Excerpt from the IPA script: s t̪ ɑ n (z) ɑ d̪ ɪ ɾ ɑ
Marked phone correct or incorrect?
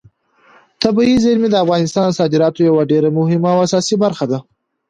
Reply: incorrect